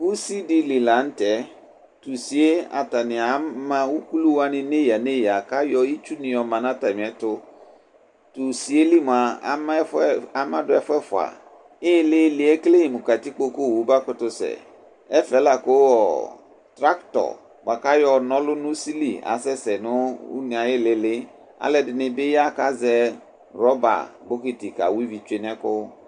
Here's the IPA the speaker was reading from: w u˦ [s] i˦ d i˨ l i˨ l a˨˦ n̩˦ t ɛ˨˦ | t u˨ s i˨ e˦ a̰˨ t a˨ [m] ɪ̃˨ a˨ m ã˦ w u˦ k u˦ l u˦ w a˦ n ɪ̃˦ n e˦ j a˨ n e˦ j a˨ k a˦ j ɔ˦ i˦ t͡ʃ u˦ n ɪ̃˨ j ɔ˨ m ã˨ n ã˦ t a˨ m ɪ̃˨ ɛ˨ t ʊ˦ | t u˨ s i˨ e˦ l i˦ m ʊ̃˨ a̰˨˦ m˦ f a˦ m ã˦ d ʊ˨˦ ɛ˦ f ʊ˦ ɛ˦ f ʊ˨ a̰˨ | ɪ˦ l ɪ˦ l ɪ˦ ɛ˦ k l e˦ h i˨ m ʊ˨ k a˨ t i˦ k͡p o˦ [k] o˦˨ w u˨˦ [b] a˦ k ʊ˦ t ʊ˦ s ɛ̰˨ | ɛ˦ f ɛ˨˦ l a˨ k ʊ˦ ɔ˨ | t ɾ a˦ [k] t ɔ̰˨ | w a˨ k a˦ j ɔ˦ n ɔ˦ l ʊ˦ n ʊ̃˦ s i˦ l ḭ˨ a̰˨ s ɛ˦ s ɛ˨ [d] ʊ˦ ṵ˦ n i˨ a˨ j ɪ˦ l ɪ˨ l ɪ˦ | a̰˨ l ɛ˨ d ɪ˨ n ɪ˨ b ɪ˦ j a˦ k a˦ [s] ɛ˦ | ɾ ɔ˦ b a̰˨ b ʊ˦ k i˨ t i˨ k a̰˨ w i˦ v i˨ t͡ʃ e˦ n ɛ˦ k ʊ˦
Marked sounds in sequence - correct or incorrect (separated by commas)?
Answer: correct, incorrect, correct, correct, correct, incorrect, incorrect